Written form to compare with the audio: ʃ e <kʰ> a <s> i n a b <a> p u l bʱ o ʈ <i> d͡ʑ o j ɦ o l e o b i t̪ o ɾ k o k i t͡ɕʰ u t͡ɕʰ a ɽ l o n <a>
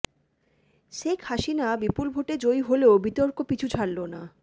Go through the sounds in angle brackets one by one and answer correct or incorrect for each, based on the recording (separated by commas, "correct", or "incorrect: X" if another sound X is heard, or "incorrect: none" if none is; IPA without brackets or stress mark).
correct, incorrect: ʃ, incorrect: i, incorrect: e, correct